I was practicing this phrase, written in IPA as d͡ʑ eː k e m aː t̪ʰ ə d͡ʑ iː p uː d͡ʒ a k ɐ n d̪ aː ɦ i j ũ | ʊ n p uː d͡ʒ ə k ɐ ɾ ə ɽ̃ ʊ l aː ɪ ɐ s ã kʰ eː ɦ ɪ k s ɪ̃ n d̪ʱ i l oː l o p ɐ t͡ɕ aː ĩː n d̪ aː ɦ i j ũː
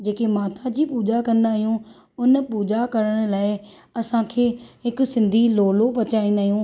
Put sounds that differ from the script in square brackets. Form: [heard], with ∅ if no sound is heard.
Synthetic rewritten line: d͡ʑ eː k e m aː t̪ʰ [a] d͡ʑ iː p uː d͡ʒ a k [ɐ̃] n d̪ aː ɦ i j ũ | ʊ n p uː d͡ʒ [a] k ɐ ɾ ə ɽ̃ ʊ l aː ɪ ɐ s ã kʰ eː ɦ ɪ k s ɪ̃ n d̪ʱ i l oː l o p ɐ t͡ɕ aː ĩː n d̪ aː ɦ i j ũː